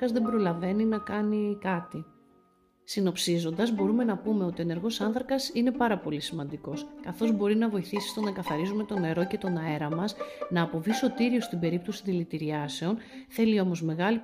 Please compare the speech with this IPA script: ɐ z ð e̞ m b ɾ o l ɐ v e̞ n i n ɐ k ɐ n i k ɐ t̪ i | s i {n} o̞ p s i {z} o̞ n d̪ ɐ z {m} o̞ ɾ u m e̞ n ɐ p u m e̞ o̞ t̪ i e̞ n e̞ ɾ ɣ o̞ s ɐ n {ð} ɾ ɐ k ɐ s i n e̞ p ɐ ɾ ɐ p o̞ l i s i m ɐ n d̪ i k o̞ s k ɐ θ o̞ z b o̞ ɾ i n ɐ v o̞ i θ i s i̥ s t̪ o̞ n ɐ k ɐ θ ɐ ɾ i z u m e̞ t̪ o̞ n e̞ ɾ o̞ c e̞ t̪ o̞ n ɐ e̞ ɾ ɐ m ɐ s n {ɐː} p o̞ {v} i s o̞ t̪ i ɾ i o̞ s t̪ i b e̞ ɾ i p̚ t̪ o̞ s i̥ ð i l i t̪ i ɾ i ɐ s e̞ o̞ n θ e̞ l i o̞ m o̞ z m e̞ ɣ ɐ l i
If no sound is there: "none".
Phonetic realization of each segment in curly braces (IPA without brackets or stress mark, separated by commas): n, z, b, θ, ɐː, v